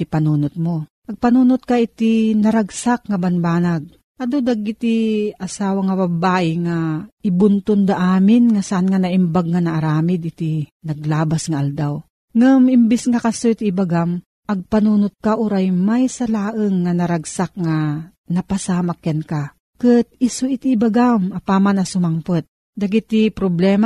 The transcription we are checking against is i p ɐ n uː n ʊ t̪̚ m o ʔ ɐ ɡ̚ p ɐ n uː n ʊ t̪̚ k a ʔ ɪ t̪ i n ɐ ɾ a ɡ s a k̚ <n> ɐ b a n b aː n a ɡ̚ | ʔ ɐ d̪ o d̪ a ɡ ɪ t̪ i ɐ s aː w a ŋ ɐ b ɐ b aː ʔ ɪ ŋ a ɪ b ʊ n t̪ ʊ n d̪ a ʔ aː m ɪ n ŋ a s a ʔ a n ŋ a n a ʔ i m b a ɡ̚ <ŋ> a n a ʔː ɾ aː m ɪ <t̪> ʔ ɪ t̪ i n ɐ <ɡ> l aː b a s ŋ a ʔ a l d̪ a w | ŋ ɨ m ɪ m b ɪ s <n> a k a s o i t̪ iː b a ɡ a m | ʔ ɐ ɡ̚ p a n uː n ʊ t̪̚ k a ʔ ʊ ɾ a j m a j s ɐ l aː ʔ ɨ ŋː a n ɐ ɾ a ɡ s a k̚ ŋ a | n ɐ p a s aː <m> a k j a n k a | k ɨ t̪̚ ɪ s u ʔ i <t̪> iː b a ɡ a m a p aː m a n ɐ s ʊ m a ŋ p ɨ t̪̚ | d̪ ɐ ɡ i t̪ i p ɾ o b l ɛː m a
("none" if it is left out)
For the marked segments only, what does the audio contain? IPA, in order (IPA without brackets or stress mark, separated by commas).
ŋ, ŋ, d̪, ɡ, ŋ, m, t̪